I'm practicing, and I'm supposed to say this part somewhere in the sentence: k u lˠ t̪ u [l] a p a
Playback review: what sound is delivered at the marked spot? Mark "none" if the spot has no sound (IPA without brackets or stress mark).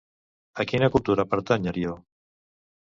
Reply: ɾ